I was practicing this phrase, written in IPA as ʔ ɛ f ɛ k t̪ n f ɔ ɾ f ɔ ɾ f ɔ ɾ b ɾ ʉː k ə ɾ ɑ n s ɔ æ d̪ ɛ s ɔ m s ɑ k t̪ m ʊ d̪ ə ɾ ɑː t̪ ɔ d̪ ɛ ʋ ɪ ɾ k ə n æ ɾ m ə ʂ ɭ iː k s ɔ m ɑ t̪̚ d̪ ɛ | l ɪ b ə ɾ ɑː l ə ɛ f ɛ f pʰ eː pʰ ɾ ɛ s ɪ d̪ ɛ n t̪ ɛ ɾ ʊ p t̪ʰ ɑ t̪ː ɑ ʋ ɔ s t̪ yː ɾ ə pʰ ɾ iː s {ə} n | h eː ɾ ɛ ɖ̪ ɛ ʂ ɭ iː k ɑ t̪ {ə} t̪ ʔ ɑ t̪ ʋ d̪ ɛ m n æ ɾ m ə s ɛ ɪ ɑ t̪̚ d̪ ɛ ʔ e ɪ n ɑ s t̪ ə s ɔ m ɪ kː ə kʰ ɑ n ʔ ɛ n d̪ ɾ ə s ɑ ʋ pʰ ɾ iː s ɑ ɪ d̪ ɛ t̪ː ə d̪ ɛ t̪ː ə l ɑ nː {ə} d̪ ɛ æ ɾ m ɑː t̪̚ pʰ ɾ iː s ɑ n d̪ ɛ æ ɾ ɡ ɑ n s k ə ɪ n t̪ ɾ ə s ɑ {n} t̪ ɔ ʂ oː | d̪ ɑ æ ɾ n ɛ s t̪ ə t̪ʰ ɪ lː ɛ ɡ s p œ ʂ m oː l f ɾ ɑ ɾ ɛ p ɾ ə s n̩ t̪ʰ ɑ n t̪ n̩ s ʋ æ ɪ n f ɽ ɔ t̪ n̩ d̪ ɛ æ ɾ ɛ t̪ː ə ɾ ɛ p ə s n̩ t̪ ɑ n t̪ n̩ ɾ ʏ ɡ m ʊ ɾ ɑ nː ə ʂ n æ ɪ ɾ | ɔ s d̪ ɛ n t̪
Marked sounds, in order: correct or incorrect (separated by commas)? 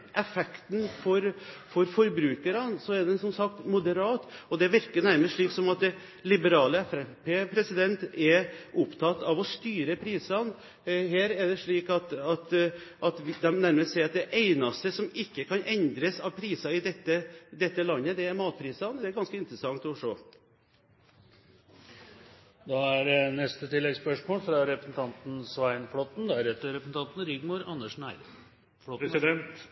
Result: incorrect, incorrect, correct, incorrect